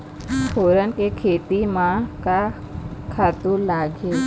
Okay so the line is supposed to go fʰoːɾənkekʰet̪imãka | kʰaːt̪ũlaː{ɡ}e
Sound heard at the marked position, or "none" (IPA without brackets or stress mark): ɡ